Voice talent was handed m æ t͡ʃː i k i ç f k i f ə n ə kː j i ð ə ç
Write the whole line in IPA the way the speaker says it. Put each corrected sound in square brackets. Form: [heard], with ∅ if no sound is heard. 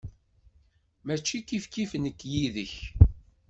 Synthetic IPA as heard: m æ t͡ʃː i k i [∅] f k i f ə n ə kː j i ð ə ç